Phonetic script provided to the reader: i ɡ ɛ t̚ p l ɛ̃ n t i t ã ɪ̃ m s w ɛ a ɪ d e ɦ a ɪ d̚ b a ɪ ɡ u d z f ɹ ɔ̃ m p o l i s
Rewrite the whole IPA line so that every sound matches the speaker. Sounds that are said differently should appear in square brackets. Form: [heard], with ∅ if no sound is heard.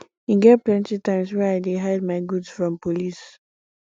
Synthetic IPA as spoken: i ɡ ɛ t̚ p l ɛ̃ n t i t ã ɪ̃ m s w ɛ a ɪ d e ɦ a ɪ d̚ [m] a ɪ ɡ u d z f ɹ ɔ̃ m p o l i s

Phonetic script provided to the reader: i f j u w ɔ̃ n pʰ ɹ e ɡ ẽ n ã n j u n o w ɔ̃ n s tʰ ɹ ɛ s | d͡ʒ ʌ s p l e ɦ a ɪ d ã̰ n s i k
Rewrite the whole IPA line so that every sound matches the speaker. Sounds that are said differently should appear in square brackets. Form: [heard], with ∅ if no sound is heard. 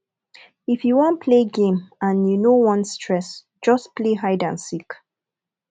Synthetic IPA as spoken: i f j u w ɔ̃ n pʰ [l] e ɡ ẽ [m] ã n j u n o w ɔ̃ n s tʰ ɹ ɛ s | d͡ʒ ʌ s p l e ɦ a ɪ d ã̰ n s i k

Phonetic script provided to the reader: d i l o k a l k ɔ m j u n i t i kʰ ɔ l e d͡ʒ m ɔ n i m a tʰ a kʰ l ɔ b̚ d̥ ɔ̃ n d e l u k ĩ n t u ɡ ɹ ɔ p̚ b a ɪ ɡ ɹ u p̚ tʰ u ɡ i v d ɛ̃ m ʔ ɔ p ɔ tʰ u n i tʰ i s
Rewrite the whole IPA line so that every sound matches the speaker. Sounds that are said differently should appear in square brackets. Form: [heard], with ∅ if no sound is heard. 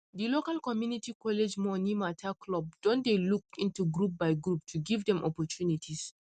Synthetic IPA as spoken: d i l o k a l k ɔ m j u n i t i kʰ ɔ l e d͡ʒ m ɔ n i m a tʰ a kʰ l ɔ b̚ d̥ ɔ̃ n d e l u k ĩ n t u ɡ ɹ [u] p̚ b a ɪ ɡ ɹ u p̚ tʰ u ɡ i v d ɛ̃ m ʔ ɔ p ɔ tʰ u n i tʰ i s

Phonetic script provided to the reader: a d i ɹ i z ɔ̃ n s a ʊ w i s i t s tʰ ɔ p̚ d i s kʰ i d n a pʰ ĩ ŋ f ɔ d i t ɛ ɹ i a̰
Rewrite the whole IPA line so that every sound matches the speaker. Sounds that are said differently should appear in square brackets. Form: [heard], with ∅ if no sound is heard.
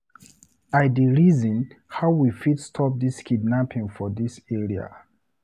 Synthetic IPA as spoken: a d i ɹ i z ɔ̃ n [h] a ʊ w i [f] i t s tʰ ɔ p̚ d i s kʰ i d n a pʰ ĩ ŋ f ɔ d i [s] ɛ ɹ i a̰

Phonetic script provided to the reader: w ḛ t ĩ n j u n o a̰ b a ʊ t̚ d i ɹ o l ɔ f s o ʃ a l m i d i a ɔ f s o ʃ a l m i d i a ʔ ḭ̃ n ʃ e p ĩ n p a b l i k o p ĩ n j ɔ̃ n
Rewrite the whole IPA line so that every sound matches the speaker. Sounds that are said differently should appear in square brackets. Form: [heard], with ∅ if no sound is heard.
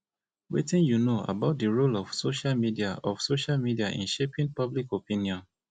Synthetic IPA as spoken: w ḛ t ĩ n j u n o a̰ b a ʊ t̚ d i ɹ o l ɔ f s o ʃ a l m i d i a ɔ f s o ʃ a l m i d i a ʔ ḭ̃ n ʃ e p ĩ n p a b l i k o p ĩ n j ɔ̃ n

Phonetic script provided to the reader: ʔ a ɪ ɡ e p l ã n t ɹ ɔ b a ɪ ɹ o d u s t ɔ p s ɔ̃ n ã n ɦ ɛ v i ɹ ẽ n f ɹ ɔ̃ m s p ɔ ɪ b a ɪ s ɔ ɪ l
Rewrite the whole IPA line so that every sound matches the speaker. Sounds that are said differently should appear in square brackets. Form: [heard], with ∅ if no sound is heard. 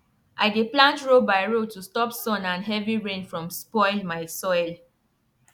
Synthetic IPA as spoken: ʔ a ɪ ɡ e p l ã n t ɹ [o] b a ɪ ɹ o [t] u s t ɔ p s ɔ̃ n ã n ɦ ɛ v i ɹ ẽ n f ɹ ɔ̃ m s p ɔ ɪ [m] a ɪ s ɔ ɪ l

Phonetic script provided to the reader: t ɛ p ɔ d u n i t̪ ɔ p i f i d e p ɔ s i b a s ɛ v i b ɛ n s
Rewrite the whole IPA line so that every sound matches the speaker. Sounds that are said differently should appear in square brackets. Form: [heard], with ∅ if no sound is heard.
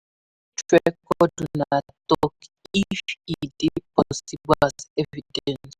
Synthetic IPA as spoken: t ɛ [k] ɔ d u n [a] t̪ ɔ [k] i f i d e p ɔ s i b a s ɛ v i [d] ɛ n s

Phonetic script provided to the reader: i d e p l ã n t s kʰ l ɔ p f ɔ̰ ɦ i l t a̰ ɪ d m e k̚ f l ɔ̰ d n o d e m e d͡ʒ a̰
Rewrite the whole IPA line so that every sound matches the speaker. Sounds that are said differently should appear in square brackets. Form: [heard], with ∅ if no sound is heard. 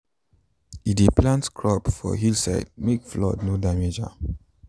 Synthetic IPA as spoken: i d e p l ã n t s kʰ [ɹ] ɔ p f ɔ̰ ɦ i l [s] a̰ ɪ d m e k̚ f l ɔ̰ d n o d [a] m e d͡ʒ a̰

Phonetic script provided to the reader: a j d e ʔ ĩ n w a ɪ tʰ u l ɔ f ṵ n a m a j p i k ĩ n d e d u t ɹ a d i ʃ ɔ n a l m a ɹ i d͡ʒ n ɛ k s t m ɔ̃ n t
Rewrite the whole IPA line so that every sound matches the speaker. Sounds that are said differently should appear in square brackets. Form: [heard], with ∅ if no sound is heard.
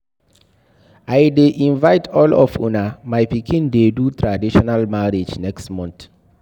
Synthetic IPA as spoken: a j d e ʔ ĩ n [v] a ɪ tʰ [ɔ] l ɔ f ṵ n a m a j p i k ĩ n d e d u t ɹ a d i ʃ ɔ n a l m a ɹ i d͡ʒ n ɛ k s t m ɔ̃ n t

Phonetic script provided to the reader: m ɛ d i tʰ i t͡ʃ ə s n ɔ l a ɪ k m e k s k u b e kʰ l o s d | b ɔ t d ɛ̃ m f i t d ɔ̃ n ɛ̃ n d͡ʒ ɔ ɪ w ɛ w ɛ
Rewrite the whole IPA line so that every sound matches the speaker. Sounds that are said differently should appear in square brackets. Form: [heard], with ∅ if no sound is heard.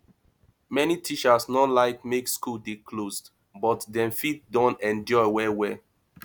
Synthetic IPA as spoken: m ɛ [n] i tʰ i t͡ʃ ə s n ɔ l a ɪ k m e k s k u [d] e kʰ l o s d | b ɔ t d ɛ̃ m f i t d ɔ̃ n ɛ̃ n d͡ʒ ɔ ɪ w ɛ w ɛ

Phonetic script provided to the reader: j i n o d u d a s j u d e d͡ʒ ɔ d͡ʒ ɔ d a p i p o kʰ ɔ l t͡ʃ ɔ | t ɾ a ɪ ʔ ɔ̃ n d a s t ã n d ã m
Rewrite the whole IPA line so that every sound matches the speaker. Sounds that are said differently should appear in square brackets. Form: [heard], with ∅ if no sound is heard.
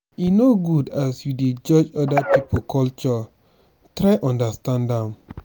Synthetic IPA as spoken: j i n o [ɡ] u d a s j u d e d͡ʒ ɔ d͡ʒ ɔ d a p i p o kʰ ɔ l t͡ʃ ɔ | t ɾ a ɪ ʔ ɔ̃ n d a s t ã n d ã m

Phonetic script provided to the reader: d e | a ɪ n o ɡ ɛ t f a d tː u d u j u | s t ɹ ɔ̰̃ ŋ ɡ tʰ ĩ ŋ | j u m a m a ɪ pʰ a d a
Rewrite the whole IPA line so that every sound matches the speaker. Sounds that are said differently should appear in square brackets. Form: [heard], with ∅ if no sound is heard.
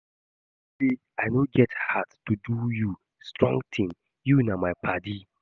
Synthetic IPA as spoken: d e | a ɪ n o ɡ ɛ t [h] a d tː u d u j u | s t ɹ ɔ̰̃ ŋ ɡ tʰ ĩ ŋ | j u [n] a m a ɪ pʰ a d [i]

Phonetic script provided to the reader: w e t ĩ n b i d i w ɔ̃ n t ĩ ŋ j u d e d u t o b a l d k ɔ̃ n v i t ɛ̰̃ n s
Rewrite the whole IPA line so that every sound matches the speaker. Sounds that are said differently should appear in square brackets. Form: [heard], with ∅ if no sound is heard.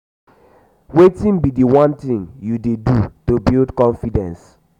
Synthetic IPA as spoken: w e t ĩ n b i d i w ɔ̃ n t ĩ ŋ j u d e d u t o b [i] l d k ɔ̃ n [f] i [d] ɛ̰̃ n s

